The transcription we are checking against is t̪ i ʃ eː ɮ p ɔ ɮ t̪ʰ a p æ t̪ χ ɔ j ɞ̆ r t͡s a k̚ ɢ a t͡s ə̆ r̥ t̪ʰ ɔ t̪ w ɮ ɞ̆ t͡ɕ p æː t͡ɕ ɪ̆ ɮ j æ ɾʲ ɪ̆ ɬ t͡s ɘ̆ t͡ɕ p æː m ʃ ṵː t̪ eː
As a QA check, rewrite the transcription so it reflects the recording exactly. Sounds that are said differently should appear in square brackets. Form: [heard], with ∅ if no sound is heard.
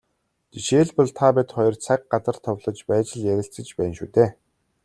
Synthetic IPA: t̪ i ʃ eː ɮ p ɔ ɮ t̪ʰ a p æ t̪ χ ɔ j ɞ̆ r [t͡sʰ] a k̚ ɢ a t͡s ə̆ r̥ t̪ʰ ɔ [∅] w ɮ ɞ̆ t͡ɕ p æː t͡ɕ ɪ̆ ɮ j æ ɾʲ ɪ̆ ɬ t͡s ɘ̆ t͡ɕ p æː [n] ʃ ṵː t̪ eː

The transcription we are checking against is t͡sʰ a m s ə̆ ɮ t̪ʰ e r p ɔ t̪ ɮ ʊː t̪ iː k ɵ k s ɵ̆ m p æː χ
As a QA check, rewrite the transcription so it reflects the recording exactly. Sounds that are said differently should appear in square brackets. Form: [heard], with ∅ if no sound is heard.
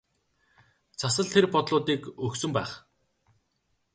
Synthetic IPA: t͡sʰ a [∅] s ə̆ ɮ t̪ʰ e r p ɔ t̪ ɮ ʊː t̪ iː k ɵ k s ɵ̆ m p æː χ

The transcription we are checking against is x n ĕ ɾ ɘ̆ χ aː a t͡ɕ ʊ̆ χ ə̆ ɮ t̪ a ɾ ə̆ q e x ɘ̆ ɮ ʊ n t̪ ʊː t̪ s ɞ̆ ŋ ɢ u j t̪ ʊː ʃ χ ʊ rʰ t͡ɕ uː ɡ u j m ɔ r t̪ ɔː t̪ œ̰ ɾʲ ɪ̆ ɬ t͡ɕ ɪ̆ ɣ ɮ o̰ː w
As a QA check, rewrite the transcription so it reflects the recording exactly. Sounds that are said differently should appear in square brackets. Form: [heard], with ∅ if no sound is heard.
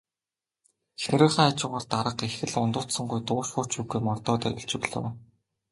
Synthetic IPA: x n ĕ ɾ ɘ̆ χ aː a t͡ɕ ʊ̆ [ʁ] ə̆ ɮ t̪ a ɾ ə̆ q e x ɘ̆ ɮ ʊ n t̪ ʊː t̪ s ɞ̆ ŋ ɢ u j t̪ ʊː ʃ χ ʊ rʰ t͡ɕ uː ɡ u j m ɔ r t̪ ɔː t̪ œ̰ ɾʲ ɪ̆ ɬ t͡ɕ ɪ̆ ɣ ɮ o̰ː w

